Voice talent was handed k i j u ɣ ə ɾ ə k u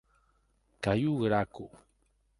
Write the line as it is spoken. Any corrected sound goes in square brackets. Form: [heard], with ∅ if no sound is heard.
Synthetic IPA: k [a] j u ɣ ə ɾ [a] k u